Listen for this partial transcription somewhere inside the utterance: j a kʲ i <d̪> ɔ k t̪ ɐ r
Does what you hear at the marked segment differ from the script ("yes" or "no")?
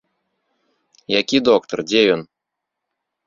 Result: no